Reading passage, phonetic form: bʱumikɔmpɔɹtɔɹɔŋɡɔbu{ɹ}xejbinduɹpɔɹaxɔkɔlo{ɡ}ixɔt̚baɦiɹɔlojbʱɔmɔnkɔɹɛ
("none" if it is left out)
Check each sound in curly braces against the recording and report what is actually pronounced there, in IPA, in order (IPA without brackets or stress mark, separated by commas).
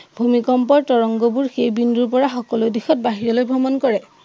ɹ, d